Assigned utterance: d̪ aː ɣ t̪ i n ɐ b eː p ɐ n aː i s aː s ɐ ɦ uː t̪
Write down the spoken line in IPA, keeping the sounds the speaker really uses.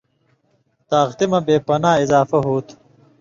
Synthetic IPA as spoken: t̪ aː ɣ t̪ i m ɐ b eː p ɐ n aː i z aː f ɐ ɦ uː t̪